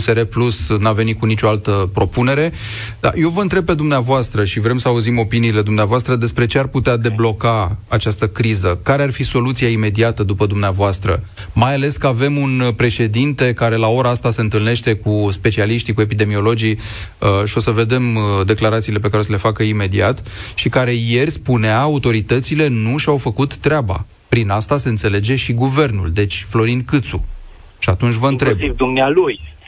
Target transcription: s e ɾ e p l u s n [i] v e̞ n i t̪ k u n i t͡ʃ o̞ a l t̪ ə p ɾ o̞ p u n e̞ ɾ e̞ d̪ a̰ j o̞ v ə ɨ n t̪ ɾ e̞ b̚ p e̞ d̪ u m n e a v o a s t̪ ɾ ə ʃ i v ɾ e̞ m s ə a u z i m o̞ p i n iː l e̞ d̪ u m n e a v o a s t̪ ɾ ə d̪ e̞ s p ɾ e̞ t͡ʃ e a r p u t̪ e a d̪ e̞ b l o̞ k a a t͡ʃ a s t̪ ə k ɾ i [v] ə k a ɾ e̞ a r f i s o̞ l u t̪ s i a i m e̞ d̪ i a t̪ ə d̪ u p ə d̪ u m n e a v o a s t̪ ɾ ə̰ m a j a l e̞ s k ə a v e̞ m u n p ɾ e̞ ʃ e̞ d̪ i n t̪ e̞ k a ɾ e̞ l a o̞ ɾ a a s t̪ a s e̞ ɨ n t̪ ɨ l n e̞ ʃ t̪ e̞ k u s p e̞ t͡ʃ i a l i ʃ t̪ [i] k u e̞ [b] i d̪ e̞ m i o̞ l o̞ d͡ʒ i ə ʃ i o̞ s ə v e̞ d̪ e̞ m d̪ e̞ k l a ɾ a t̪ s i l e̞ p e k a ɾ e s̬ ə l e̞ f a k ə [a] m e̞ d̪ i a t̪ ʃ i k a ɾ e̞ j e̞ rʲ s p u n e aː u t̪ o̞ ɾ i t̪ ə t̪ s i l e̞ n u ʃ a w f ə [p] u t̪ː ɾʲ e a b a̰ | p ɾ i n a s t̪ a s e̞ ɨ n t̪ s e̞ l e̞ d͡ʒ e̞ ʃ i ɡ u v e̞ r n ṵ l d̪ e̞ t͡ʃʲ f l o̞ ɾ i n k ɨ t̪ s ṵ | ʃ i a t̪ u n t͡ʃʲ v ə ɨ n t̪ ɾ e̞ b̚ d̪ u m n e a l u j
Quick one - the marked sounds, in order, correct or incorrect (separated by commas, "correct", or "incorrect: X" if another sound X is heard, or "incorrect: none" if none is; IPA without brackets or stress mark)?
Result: incorrect: a, incorrect: z, correct, incorrect: p, incorrect: i, incorrect: k